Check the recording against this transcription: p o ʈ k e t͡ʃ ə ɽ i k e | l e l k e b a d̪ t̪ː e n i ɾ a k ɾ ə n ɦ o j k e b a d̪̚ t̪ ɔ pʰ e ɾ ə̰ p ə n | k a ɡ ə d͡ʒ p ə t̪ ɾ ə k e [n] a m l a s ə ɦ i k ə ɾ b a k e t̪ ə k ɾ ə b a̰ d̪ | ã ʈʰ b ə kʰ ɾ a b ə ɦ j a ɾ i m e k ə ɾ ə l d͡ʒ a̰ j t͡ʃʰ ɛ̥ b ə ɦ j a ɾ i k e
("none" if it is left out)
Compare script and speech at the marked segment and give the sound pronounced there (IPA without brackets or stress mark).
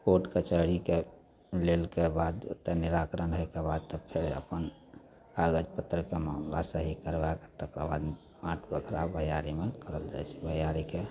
m